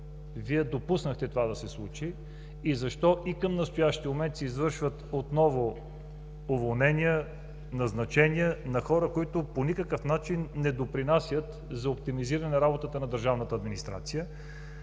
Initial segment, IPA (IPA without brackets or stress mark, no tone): v